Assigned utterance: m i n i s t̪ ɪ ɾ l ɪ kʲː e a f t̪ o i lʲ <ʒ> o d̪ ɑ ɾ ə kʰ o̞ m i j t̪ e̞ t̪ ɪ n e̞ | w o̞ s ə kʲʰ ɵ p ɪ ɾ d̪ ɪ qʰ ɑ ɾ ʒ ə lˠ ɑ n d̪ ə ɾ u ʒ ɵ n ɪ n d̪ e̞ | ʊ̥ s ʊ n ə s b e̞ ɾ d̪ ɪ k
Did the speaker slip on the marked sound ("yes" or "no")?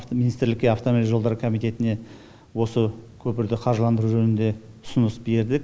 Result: no